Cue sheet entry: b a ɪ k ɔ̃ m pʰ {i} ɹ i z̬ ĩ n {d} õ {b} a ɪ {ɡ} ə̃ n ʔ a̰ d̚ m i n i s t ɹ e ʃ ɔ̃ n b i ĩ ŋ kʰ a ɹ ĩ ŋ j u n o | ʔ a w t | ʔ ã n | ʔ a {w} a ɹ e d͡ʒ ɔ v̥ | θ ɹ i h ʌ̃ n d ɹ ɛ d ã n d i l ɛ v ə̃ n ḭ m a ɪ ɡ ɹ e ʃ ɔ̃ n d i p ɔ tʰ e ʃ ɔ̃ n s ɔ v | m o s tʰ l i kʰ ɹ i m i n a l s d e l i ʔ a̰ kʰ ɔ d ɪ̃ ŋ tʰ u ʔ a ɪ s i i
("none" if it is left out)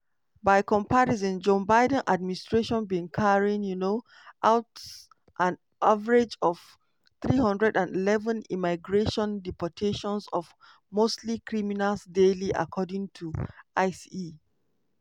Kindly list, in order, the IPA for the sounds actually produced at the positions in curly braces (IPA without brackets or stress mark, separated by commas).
a, d͡ʒ, b, d, v